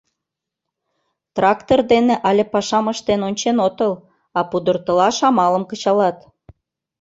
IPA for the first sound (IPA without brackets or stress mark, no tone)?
t̪